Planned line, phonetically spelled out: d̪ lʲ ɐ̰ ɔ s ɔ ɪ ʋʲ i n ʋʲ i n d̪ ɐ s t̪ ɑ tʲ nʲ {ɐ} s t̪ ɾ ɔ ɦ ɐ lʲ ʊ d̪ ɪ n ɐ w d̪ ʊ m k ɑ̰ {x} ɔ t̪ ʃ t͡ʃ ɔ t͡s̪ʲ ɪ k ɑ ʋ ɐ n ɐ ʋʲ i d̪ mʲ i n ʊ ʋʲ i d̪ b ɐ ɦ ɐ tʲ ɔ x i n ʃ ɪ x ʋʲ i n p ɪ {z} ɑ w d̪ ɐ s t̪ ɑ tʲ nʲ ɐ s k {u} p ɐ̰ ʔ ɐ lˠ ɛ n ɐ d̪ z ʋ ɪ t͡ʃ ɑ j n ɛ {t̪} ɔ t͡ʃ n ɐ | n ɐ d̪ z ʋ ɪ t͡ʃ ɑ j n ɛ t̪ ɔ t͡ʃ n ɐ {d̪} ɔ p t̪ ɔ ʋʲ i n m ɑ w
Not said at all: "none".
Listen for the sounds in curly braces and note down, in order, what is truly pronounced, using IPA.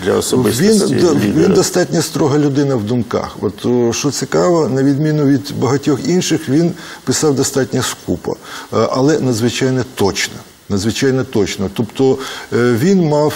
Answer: ɐ, x, s, u, t̪, t̪

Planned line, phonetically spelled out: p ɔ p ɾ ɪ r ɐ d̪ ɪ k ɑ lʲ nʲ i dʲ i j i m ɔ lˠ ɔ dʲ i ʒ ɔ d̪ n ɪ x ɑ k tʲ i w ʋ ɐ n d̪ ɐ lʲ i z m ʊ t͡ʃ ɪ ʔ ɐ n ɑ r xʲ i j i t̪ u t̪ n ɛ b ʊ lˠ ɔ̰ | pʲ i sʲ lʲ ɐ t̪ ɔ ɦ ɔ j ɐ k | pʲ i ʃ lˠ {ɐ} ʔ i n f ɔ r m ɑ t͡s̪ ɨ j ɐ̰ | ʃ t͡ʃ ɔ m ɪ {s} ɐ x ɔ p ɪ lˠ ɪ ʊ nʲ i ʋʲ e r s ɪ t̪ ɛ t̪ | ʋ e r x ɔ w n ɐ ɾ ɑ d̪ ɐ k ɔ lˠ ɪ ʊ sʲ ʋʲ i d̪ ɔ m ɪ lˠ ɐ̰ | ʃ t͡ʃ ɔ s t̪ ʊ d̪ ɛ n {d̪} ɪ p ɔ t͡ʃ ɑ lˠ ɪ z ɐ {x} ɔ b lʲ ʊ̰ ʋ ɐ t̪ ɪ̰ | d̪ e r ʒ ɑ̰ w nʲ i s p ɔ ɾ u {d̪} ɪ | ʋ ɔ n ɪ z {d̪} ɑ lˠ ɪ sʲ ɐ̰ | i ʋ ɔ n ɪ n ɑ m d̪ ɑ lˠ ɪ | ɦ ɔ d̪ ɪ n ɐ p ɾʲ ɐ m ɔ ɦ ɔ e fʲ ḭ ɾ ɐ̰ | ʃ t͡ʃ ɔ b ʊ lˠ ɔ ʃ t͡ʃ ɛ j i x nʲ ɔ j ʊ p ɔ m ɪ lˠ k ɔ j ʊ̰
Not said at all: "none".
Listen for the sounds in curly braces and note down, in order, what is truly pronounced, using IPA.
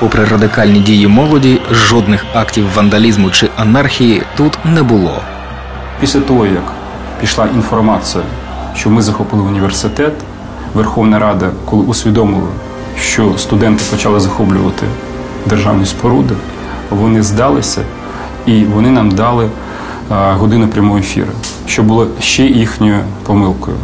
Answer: ɑ, z, t̪, x, d̪, d̪

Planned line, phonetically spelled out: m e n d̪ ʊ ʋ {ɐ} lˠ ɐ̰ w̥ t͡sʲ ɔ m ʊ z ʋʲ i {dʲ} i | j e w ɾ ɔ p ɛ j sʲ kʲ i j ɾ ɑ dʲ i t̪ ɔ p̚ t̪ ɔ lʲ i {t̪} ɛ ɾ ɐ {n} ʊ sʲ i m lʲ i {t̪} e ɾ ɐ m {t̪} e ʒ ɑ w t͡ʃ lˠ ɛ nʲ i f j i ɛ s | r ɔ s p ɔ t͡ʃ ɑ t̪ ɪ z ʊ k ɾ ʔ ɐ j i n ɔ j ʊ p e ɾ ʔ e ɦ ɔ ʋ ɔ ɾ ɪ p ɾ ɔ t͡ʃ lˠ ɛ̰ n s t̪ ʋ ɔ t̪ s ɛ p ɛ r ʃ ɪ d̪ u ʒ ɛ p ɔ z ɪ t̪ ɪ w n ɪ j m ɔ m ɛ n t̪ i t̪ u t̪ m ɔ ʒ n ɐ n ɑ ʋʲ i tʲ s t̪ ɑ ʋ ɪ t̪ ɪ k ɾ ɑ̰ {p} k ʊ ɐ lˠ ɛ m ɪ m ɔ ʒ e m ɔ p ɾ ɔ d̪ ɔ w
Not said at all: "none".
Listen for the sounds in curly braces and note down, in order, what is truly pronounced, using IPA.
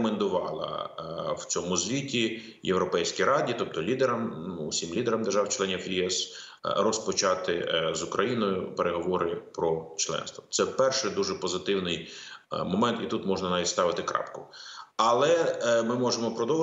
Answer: ɑ, tʲ, d̪, m, d̪, d̪, p

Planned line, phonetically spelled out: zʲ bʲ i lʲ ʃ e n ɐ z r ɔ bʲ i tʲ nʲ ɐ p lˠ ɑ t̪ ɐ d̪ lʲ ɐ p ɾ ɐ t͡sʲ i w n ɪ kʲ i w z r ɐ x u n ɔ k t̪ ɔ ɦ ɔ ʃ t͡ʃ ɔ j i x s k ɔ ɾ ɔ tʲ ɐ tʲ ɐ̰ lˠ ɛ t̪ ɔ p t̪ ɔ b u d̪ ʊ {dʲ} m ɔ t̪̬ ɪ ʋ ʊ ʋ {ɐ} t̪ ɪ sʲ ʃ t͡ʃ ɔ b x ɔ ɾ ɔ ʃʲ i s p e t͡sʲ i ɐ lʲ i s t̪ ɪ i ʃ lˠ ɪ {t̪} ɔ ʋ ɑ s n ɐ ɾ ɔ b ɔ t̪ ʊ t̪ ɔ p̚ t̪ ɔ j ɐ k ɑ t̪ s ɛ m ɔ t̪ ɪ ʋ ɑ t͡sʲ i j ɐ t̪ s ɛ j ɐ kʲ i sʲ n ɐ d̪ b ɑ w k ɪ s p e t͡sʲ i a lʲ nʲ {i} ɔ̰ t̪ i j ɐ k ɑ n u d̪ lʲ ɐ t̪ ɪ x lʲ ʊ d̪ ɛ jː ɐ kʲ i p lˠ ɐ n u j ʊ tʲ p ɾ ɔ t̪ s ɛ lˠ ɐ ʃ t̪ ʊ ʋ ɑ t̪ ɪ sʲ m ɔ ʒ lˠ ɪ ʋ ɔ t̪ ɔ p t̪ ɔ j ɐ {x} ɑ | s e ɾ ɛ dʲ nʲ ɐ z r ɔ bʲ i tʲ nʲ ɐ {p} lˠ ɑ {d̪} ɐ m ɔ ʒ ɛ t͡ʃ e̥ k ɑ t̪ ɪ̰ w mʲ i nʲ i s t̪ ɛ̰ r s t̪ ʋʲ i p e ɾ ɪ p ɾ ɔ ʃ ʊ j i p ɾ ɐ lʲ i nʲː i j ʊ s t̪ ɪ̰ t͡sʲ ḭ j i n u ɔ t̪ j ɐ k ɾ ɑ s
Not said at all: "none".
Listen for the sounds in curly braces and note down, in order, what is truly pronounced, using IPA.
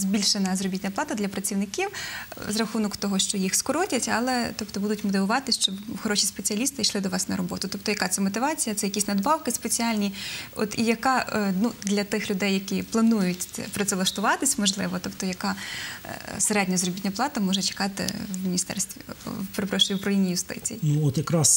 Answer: tʲ, ɑ, d̪, i, k, p, t̪

